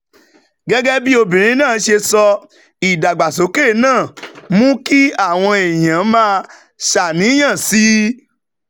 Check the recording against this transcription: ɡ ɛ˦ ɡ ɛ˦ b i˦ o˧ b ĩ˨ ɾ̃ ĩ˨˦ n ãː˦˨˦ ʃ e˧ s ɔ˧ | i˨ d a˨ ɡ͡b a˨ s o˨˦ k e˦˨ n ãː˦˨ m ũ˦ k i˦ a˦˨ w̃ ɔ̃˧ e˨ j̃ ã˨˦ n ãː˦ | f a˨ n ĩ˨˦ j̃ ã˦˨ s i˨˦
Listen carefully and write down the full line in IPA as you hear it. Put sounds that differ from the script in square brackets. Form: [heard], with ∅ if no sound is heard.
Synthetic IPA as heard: ɡ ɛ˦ ɡ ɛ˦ b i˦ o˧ b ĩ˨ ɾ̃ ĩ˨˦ n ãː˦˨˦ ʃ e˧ s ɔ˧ | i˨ d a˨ ɡ͡b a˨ s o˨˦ k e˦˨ n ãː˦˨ m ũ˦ k i˦ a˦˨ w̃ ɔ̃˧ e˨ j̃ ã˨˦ [m] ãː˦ | [ʃ] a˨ n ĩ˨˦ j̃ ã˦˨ s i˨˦